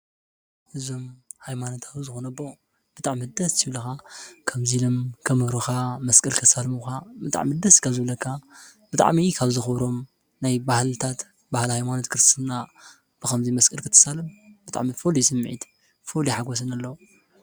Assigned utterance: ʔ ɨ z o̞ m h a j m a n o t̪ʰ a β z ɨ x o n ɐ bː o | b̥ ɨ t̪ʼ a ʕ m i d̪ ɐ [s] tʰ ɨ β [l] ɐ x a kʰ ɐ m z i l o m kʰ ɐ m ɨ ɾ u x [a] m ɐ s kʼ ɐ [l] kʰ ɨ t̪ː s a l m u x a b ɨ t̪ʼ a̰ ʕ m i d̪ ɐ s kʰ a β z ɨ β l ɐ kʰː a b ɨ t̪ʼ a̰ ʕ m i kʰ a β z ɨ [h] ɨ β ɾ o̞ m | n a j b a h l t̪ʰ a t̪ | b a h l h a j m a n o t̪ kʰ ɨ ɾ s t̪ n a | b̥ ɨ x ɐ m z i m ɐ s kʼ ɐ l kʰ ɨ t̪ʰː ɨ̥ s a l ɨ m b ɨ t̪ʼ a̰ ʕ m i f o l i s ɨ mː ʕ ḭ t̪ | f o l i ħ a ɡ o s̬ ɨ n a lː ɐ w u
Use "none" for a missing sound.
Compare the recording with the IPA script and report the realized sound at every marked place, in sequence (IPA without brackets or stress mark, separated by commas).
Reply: s, l, a, l, x